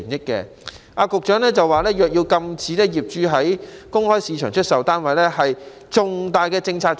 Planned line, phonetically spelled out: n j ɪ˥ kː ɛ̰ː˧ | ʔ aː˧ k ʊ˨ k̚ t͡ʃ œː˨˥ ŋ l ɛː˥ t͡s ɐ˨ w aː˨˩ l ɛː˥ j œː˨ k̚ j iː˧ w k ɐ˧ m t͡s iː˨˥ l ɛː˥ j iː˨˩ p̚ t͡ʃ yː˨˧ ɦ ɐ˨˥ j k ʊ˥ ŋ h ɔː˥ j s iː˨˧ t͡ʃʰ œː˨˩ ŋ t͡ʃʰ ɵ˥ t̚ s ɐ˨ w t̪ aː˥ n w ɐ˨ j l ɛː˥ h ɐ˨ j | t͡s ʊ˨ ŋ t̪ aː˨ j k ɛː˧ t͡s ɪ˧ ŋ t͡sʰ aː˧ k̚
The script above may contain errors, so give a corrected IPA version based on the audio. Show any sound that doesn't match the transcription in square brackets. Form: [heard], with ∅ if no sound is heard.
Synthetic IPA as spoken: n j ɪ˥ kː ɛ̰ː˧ | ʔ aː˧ k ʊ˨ k̚ t͡ʃ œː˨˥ ŋ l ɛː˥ t͡s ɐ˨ w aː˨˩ l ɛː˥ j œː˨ k̚ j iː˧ w k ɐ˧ m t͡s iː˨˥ l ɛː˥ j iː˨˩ p̚ t͡ʃ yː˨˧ ɦ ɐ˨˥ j k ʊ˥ ŋ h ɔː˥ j s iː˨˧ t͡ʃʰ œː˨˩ ŋ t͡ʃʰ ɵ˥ t̚ s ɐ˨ w t̪ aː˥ n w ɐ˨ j l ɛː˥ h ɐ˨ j | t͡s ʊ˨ ŋ t̪ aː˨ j k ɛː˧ t͡s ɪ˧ ŋ t͡sʰ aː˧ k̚